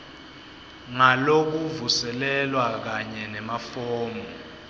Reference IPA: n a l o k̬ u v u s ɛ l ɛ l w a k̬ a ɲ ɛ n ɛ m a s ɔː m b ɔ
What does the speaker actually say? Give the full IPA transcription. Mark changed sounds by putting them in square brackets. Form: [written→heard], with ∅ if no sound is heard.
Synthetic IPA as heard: [n→ŋ] a l o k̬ u v u s ɛ l ɛ l w a k̬ a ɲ ɛ n ɛ m a [s→f] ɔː m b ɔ